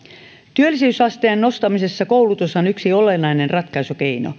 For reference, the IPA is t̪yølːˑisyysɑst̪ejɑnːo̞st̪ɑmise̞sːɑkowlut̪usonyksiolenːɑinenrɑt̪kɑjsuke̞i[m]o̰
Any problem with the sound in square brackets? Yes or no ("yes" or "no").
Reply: yes